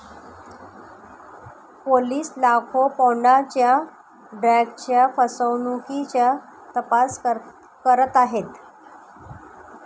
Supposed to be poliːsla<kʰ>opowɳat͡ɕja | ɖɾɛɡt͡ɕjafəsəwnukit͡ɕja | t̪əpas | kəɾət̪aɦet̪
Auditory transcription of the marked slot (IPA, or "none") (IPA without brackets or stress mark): kʰ